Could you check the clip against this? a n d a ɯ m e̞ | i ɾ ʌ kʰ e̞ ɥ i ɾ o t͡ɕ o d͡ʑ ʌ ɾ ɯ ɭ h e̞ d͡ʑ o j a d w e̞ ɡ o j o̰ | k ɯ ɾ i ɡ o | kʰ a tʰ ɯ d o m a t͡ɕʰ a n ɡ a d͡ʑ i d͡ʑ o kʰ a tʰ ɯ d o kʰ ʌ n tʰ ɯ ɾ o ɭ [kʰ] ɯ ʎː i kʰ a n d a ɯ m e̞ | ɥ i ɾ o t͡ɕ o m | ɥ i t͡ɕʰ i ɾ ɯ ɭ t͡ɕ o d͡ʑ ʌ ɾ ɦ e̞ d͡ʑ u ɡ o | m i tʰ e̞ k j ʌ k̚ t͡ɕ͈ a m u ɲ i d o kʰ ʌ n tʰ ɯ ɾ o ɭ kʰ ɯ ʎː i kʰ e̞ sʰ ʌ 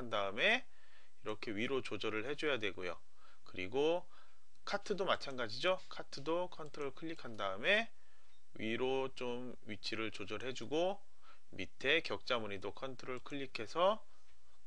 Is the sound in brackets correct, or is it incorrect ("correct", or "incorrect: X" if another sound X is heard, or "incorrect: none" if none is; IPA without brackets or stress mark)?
correct